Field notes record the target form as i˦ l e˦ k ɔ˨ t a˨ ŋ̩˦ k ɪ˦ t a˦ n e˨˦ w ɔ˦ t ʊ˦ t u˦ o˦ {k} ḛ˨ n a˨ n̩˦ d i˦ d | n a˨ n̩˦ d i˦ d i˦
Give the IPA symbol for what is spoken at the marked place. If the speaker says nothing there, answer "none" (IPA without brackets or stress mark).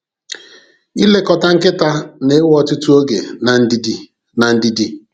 ɡ